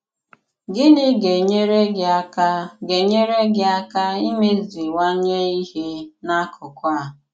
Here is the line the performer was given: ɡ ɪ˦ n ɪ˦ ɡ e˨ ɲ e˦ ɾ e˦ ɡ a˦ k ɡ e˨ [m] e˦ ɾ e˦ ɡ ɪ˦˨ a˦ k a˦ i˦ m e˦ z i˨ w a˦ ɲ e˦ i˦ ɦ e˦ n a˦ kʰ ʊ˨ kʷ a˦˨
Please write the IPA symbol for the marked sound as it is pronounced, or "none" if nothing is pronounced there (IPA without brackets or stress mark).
ɲ